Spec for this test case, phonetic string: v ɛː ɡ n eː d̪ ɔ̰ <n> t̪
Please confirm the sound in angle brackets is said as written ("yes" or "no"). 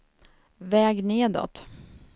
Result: no